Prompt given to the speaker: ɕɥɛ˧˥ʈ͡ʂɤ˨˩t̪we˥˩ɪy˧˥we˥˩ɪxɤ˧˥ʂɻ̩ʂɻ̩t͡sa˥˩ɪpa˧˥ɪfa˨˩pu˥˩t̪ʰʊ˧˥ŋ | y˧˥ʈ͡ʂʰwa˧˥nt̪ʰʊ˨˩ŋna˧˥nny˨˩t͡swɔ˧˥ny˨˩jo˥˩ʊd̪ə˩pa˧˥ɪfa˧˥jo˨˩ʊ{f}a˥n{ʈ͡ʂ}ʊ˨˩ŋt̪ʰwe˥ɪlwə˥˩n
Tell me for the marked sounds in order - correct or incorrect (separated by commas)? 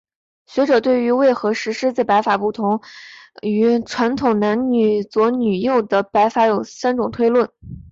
incorrect, correct